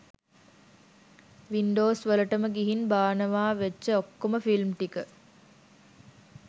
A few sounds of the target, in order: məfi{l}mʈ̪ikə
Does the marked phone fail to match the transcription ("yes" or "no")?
no